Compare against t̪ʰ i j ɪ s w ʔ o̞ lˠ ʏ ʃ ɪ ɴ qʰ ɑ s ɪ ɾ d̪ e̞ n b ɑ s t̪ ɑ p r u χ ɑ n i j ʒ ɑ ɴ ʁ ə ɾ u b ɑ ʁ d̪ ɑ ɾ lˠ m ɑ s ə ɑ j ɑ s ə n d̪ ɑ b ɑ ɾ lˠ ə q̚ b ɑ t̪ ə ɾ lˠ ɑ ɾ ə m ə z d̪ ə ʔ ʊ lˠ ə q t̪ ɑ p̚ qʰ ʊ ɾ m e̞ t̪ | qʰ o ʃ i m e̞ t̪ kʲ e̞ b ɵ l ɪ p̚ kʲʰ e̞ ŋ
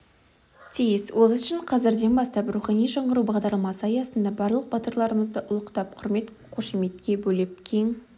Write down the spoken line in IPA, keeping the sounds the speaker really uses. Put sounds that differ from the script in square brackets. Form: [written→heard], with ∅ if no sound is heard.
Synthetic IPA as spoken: t̪ʰ i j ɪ s w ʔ o̞ lˠ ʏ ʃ ɪ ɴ qʰ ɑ [s→z] ɪ ɾ d̪ e̞ n b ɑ s t̪ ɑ p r u χ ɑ n i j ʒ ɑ ɴ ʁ ə ɾ u b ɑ ʁ d̪ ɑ ɾ lˠ m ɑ s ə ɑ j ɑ s ə n d̪ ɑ b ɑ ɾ lˠ ə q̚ b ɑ t̪ ə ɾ lˠ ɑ ɾ ə m ə z d̪ ə ʔ ʊ lˠ ə q t̪ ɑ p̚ qʰ ʊ ɾ m e̞ t̪ | qʰ o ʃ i m e̞ t̪ kʲ e̞ b ɵ l ɪ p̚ kʲʰ e̞ ŋ

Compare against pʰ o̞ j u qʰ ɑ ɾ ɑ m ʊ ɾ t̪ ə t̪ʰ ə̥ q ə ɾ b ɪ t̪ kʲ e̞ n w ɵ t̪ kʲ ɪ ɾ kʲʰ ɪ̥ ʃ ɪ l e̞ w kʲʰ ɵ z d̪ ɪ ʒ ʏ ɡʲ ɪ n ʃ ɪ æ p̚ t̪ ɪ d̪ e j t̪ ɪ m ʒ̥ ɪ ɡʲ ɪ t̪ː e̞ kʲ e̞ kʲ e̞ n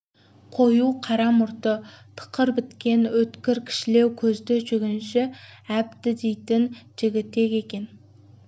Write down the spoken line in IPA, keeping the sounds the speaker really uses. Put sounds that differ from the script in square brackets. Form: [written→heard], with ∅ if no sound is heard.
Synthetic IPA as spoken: [pʰ→qʰ] o̞ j u qʰ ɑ ɾ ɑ m ʊ ɾ t̪ ə t̪ʰ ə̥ q ə ɾ b ɪ t̪ kʲ e̞ n w ɵ t̪ kʲ ɪ ɾ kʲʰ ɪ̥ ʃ ɪ l e̞ w kʲʰ ɵ z d̪ ɪ ʒ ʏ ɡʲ ɪ n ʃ ɪ æ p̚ t̪ ɪ d̪ e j t̪ ɪ [m→n] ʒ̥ ɪ ɡʲ ɪ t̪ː e̞ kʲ e̞ kʲ e̞ n

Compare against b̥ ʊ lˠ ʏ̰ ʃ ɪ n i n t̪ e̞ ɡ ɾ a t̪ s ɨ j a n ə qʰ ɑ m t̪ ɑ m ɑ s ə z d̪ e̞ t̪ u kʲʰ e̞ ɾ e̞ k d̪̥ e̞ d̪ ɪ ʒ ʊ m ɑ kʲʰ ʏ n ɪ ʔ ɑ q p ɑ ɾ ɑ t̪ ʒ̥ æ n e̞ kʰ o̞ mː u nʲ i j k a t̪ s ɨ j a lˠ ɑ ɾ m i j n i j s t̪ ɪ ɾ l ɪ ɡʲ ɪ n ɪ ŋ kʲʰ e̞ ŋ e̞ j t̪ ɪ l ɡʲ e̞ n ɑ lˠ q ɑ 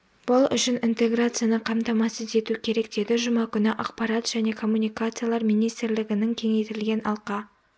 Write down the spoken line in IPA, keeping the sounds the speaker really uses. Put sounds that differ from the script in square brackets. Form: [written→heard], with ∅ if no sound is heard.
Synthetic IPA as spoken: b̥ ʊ lˠ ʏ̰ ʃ ɪ n i n t̪ e̞ ɡ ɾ a t̪ s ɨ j a n ə qʰ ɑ m t̪ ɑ m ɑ s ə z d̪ e̞ t̪ u kʲʰ e̞ ɾ e̞ k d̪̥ e̞ d̪ ɪ ʒ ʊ m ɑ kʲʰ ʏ n ɪ ʔ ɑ q p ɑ ɾ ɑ t̪ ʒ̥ æ n e̞ kʰ o̞ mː u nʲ i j k a t̪ s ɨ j a lˠ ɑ ɾ m i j n i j s t̪ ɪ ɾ l ɪ ɡʲ ɪ n ɪ ŋ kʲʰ e̞ ŋ e̞ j t̪ ɪ l ɡʲ e̞ n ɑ lˠ q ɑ

